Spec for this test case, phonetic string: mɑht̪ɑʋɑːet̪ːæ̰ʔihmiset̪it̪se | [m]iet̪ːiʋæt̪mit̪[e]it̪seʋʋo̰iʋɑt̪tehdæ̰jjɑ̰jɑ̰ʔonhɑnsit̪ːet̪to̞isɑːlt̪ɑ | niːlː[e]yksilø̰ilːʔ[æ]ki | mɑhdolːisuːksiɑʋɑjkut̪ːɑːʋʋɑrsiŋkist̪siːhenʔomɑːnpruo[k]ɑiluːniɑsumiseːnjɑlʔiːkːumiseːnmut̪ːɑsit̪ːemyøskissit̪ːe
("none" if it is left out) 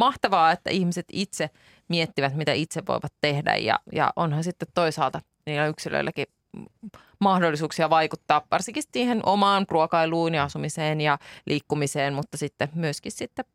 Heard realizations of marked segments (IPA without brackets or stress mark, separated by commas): m, æ, æ, æ, k